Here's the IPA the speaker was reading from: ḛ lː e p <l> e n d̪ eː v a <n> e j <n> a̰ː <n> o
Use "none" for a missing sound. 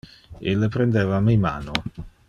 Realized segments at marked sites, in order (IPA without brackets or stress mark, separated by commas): ɾ, m, m, n